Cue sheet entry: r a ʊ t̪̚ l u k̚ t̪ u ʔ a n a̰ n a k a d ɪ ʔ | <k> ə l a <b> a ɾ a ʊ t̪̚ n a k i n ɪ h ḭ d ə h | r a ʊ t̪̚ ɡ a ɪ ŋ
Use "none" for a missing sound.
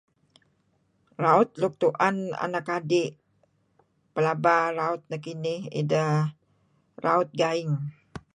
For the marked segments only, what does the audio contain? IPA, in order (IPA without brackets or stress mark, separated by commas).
p, b